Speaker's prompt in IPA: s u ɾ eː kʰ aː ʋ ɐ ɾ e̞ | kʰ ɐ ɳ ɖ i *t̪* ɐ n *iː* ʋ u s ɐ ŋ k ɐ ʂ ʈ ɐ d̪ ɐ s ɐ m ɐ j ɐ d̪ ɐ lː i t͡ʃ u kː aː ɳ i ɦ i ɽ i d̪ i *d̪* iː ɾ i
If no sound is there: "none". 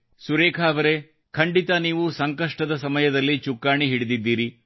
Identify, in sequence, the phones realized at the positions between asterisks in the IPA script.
t̪, iː, d̪ː

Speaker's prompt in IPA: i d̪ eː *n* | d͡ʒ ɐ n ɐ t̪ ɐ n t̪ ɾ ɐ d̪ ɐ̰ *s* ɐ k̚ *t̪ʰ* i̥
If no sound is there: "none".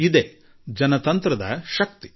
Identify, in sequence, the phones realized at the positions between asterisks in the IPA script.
none, ʃ, t̪

